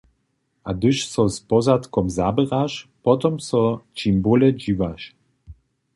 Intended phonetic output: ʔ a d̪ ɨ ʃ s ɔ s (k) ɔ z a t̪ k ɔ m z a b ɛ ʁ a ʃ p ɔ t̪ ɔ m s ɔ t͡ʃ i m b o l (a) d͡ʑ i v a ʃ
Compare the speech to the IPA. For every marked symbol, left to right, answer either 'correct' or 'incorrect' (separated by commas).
incorrect, incorrect